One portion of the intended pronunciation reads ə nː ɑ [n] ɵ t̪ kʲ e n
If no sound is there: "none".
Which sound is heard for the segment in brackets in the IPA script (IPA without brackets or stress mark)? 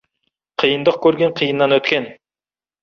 n